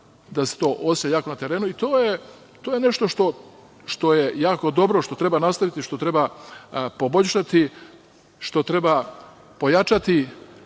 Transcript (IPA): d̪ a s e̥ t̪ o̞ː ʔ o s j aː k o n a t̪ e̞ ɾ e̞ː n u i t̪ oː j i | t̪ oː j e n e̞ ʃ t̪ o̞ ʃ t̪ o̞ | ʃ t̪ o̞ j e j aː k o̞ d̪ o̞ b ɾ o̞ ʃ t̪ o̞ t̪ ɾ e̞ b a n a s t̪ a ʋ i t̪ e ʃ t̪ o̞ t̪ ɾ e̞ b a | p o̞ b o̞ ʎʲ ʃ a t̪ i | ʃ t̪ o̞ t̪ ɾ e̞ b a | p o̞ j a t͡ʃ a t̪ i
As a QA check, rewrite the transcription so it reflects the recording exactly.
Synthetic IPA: d̪ a s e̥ t̪ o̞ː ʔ o s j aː k o n a t̪ e̞ ɾ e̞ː n u i t̪ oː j e | t̪ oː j e n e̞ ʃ t̪ o̞ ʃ t̪ o̞ | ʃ t̪ o̞ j e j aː k o̞ d̪ o̞ b ɾ o̞ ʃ t̪ o̞ t̪ ɾ e̞ b a n a s t̪ a ʋ i t̪ i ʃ t̪ o̞ t̪ ɾ e̞ b a | p o̞ b o̞ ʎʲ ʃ a t̪ i | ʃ t̪ o̞ t̪ ɾ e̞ b a | p o̞ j a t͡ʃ a t̪ i